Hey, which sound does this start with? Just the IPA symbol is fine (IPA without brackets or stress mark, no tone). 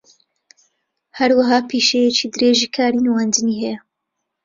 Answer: h